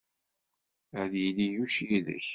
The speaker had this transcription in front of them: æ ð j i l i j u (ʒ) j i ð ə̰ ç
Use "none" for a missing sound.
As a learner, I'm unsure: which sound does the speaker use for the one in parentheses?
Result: ʃ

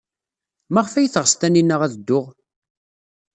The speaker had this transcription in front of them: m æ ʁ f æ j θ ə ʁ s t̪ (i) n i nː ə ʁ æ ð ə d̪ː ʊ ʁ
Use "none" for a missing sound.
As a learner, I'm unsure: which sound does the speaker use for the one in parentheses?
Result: æ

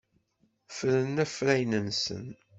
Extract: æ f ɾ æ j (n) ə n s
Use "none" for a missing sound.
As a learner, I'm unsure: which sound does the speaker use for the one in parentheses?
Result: n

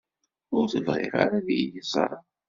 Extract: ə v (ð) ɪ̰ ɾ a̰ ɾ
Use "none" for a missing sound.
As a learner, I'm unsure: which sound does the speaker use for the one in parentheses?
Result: ʁ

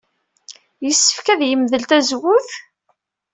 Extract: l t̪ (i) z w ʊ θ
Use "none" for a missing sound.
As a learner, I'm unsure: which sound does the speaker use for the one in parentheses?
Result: æ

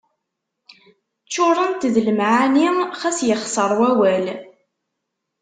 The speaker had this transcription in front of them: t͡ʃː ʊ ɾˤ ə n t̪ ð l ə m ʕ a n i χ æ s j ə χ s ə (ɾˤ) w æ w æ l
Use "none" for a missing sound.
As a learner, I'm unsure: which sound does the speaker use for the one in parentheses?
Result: ɾˤ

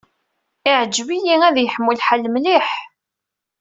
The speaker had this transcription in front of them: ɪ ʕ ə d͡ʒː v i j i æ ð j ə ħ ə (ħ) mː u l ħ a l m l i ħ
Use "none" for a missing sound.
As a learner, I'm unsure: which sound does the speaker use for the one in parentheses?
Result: none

